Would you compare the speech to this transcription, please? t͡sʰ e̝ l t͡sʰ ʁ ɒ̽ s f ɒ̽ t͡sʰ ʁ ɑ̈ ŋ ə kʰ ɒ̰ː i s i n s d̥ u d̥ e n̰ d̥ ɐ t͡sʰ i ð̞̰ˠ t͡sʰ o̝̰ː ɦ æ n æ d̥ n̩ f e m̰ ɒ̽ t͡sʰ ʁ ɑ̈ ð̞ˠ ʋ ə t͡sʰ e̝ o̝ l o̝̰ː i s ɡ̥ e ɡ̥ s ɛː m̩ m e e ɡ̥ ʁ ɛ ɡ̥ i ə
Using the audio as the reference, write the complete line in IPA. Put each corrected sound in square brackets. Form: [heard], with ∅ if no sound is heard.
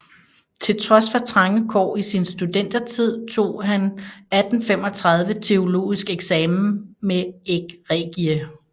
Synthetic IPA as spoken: t͡sʰ e̝ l t͡sʰ ʁ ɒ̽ s f ɒ̽ t͡sʰ ʁ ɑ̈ ŋ ə kʰ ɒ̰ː i s i n s d̥ u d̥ e n̰ d̥ ɐ t͡sʰ i ð̞̰ˠ t͡sʰ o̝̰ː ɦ æ n æ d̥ n̩ f e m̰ ɒ̽ t͡sʰ ʁ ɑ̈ ð̞ˠ ʋ ə t͡sʰ e̝ o̝ l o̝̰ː i s ɡ̥ e ɡ̥ s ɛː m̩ m e e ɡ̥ ʁ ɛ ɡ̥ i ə